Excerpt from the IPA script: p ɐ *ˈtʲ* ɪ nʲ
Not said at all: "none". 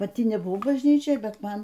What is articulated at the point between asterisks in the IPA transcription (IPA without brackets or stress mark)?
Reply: tʲ